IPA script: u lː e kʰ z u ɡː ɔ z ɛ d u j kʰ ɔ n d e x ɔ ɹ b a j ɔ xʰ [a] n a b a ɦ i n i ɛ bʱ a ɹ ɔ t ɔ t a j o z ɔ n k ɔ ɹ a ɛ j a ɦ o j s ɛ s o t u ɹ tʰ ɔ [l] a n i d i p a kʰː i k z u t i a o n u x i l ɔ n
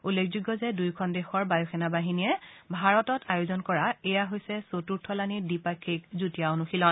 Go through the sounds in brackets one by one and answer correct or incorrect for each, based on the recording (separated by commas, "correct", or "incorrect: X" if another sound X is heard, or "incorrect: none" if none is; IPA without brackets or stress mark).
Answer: incorrect: ɛ, correct